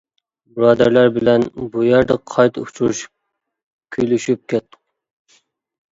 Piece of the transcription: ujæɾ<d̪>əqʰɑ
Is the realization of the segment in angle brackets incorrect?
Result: no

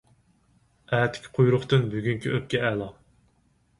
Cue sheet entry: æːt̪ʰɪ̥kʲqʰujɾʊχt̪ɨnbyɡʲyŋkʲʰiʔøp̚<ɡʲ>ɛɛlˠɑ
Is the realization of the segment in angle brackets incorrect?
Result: yes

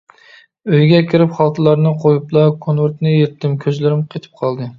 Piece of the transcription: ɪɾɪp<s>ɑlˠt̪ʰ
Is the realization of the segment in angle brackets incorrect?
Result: yes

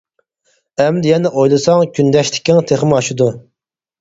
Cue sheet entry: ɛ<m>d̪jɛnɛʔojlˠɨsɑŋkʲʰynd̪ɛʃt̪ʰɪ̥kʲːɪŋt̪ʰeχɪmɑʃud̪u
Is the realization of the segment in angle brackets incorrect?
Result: no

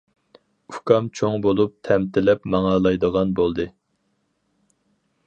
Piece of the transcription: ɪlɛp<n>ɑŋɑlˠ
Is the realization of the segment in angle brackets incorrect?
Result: yes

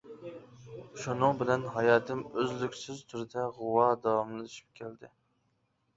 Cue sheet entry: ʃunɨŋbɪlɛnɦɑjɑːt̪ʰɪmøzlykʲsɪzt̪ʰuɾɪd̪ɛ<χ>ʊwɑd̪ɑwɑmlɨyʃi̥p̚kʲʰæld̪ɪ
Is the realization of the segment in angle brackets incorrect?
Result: yes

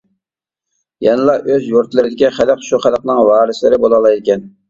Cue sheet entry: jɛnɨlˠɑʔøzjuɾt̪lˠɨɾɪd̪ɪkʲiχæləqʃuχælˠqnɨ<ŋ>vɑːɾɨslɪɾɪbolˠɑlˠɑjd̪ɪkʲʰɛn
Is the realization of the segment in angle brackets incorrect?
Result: no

